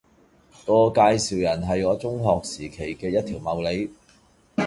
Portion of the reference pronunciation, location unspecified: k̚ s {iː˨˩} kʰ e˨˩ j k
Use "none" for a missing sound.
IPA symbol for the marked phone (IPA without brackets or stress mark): iː˨˩